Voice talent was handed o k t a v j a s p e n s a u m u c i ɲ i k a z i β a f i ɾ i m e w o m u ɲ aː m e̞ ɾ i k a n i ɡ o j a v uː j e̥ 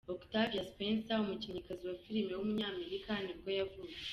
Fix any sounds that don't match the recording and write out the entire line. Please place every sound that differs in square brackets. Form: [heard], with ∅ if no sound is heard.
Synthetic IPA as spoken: o k t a v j a s p e n s a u m u c i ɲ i k a z i [w] a f i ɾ i m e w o m u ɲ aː m e̞ ɾ i k a n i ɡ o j a v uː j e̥

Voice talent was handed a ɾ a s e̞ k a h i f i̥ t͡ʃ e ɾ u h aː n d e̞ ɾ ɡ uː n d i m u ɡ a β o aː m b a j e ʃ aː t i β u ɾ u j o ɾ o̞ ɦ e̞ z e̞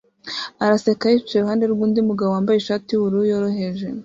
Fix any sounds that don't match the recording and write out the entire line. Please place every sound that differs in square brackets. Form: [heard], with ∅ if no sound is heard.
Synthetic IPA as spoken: a ɾ a s e̞ k a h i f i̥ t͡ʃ e ɾ u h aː n d e̞ ɾ ɡ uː n d i m u ɡ a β o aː m b a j e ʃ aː t i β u ɾ u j o ɾ o̞ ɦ e̞ [ʒ] e̞

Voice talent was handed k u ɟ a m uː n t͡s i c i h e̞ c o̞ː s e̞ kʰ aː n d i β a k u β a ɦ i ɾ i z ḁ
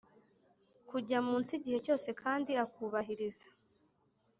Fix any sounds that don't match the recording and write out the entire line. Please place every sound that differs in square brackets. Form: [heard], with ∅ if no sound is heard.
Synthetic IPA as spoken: k u ɟ a m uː n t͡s i [ɟ] i h e̞ c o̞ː s e̞ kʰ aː n d i [∅] a k u β a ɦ i ɾ i z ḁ

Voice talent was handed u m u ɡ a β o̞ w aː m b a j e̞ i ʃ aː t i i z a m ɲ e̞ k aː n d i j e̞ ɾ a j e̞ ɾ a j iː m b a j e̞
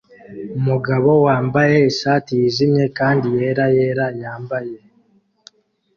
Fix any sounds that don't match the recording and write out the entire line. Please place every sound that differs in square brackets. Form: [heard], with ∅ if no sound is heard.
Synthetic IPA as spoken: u m u ɡ a β o̞ w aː m b a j e̞ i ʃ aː t i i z [i] m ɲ e̞ k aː n d i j e̞ ɾ a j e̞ ɾ a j [aː] m b a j e̞

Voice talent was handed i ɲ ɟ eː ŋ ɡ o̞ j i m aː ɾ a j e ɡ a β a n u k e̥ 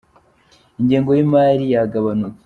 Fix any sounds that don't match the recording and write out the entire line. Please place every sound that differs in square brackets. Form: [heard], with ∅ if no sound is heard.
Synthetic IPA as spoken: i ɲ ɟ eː ŋ ɡ o̞ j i m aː ɾ [i] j [a] ɡ a β a n u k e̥

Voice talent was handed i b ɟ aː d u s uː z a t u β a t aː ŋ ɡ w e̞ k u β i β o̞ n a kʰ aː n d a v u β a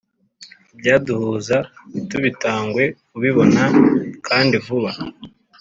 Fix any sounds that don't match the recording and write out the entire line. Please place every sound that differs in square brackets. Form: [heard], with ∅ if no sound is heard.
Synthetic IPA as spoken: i b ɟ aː d u [h] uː z a t u β [i] t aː ŋ ɡ w e̞ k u β i β o̞ n a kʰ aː n d [i] v u β a

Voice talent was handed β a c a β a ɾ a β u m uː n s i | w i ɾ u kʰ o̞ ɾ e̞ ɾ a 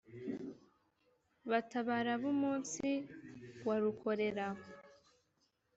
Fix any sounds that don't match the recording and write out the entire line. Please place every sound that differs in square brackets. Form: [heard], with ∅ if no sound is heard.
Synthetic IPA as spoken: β a [t] a β a ɾ a β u m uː n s i | w [a] ɾ u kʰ o̞ ɾ e̞ ɾ a

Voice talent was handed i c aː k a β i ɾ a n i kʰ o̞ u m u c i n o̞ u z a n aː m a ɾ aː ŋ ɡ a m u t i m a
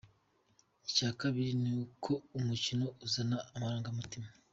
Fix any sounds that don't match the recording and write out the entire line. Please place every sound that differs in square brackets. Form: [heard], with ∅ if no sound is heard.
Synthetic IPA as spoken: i c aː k a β i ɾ [i] n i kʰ o̞ u m u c i n o̞ u z a n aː m a ɾ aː ŋ ɡ a m u t i m a

